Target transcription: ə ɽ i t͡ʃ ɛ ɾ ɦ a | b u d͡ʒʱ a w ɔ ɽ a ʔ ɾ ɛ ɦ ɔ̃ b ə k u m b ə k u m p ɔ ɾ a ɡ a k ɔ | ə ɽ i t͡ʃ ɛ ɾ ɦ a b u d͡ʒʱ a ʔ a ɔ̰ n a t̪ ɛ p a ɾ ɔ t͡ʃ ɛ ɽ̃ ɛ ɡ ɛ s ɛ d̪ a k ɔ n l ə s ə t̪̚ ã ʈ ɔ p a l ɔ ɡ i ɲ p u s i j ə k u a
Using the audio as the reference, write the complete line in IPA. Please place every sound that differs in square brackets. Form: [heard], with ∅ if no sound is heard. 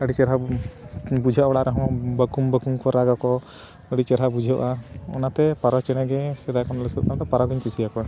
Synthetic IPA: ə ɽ i t͡ʃ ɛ ɾ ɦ a | b u d͡ʒʱ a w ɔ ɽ a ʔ ɾ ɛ ɦ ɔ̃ b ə k u m b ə k u m [k] ɔ ɾ a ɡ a k ɔ | ə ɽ i t͡ʃ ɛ ɾ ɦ a b u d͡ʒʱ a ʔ a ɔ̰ n a t̪ ɛ p a ɾ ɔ t͡ʃ ɛ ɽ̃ ɛ ɡ ɛ s ɛ d̪ a k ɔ n l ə s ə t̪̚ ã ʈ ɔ p a [ɾ] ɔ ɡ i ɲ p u s i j [a] k [ɔ] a

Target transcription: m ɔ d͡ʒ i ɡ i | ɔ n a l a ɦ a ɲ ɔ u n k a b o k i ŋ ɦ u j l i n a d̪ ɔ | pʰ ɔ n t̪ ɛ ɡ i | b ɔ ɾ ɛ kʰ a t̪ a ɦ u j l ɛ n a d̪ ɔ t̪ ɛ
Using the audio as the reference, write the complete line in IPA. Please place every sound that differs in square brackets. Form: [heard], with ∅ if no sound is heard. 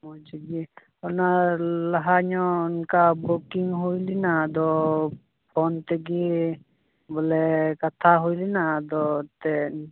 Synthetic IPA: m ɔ d͡ʒ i ɡ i | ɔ n a l a ɦ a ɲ ɔ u n k a b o k i ŋ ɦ u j l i n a d̪ ɔ | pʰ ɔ n t̪ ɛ ɡ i | b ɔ [l] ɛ [k] a [t̪ʰ] a ɦ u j l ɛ n a d̪ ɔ t̪ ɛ

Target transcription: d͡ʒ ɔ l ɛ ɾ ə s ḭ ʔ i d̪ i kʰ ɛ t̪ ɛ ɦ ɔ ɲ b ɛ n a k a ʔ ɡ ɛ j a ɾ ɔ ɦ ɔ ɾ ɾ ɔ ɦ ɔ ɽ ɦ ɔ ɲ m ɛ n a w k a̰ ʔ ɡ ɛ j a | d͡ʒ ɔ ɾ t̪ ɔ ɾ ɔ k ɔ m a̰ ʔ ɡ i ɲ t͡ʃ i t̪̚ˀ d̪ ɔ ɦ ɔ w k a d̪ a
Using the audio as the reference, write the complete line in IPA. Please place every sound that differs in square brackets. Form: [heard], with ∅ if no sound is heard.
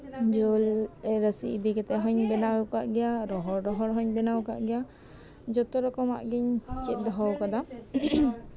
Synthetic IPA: d͡ʒ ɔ l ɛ ɾ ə s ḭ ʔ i d̪ i [k] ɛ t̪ ɛ ɦ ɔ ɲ b ɛ n a k a ʔ ɡ ɛ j a ɾ ɔ ɦ ɔ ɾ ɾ ɔ ɦ ɔ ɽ ɦ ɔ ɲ [b] ɛ n a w k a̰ ʔ ɡ ɛ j a | d͡ʒ ɔ [∅] t̪ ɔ ɾ ɔ k ɔ m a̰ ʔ ɡ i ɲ t͡ʃ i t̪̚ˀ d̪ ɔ ɦ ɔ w k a d̪ a

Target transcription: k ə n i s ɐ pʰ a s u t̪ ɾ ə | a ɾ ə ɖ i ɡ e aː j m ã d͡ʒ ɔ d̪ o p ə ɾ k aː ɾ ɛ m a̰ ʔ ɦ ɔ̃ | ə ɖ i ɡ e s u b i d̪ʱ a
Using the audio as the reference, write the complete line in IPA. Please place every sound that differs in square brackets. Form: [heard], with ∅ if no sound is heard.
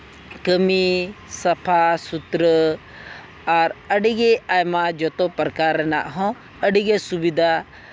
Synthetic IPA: k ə [m] i s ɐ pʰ a s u t̪ ɾ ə | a ɾ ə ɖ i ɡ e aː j m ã d͡ʒ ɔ [t̪] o p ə ɾ k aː ɾ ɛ [n] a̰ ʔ ɦ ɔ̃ | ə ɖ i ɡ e s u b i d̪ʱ a

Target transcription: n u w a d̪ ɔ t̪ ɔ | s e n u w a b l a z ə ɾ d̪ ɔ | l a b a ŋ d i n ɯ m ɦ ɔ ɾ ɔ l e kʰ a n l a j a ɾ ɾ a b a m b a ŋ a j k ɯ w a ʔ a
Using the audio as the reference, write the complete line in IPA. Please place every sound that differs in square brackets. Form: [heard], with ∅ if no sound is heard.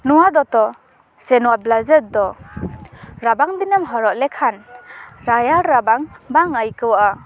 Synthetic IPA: n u w a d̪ ɔ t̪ ɔ | s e n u w a b l a z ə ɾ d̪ ɔ | [ɾ] a b a ŋ d i n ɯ m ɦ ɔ ɾ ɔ l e kʰ a n [ɾ] a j a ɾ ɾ a b a [ŋ] b a ŋ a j k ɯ w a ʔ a

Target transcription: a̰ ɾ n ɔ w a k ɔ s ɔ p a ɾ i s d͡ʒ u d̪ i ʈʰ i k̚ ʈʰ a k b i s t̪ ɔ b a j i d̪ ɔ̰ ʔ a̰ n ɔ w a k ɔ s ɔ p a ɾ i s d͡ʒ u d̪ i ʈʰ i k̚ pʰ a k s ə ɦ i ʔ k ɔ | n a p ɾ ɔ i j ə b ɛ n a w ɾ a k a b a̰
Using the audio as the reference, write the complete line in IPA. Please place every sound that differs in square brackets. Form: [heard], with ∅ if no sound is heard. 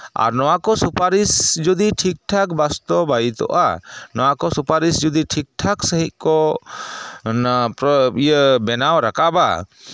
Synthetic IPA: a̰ ɾ n ɔ w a k ɔ s [u] p a ɾ i s d͡ʒ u d̪ i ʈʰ i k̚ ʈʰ a k b [a] s t̪ ɔ b a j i [t̪] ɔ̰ ʔ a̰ n ɔ w a k ɔ s [u] p a ɾ i s d͡ʒ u d̪ i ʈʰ i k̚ [ʈʰ] a k s ə ɦ i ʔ k ɔ | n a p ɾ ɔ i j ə b ɛ n a w ɾ a k a b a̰

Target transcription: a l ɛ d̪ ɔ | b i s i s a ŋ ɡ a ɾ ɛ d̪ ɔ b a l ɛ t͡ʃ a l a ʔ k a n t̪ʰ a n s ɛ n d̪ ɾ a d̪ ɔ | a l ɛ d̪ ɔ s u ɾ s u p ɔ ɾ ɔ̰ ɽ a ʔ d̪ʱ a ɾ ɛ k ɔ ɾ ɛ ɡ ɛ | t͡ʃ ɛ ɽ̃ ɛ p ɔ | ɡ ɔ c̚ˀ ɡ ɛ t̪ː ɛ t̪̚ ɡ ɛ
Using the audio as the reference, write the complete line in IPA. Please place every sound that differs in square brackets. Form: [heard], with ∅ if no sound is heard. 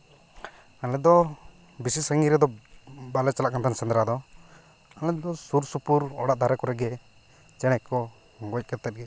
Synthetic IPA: a l ɛ d̪ ɔ | b i s i s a ŋ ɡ [i] ɾ ɛ d̪ ɔ b a l ɛ t͡ʃ a l a ʔ k a n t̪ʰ a n s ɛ n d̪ ɾ a d̪ ɔ | a l ɛ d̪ ɔ s u ɾ s u p [u] ɾ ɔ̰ ɽ a ʔ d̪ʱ a ɾ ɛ k ɔ ɾ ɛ ɡ ɛ | t͡ʃ ɛ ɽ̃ ɛ [k] ɔ | ɡ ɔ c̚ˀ [k] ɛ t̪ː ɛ t̪̚ ɡ ɛ

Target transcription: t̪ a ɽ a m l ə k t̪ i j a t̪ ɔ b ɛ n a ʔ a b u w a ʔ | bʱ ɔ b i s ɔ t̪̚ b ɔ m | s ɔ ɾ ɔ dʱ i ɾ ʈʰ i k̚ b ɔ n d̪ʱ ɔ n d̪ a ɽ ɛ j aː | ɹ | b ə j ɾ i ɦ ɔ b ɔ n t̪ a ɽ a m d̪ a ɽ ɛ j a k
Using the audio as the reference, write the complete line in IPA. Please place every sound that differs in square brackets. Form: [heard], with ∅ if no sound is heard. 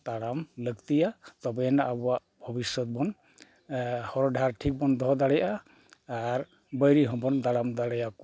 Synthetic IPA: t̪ a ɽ a m l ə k t̪ i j a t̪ ɔ b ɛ n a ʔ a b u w a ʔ | bʱ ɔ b i s ɔ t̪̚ b ɔ [n] | [h] ɔ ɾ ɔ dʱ [a] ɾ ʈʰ i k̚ b ɔ n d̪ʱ ɔ [∅] d̪ a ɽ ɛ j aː | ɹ | b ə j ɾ i ɦ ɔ b ɔ n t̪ a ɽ a m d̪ a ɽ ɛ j a k

